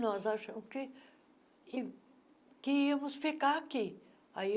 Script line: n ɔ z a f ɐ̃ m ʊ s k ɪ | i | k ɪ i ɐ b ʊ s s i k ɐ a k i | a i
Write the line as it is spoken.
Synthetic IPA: n ɔ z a ʃ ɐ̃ m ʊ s k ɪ | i | k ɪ i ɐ m ʊ s f i k a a k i | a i